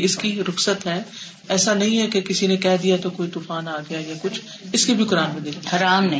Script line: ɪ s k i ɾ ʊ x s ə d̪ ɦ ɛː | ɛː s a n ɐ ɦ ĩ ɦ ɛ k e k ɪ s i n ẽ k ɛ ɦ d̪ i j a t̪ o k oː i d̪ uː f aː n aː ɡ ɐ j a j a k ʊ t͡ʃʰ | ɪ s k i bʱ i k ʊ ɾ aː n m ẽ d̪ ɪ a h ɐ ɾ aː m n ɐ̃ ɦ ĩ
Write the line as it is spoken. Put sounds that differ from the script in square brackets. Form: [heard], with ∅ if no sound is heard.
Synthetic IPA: ɪ s k i ɾ ʊ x s ə [t̪] ɦ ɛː | ɛː s a n ɐ ɦ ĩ ɦ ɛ k e k ɪ s i n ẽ k ɛ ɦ d̪ i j a t̪ o k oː i [t̪] uː f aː n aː ɡ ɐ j a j a k ʊ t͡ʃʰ | ɪ s k i bʱ i k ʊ ɾ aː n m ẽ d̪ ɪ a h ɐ ɾ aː m n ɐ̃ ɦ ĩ